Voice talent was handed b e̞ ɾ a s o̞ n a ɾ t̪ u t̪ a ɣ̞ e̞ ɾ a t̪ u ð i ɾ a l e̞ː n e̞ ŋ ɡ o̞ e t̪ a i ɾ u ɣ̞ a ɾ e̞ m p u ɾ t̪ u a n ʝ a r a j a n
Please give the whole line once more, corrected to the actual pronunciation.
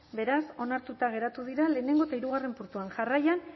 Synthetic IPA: b e̞ ɾ a s o̞ n a ɾ t̪ u t̪ a ɣ̞ e̞ ɾ a t̪ u ð i ɾ a l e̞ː n e̞ ŋ ɡ o̞ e t̪ a i ɾ u ɣ̞ a r e̞ m p u ɾ t̪ u a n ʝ a r a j a n